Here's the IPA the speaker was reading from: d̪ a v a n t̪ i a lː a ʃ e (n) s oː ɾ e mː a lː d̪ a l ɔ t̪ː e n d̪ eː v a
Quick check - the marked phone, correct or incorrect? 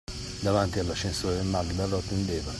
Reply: correct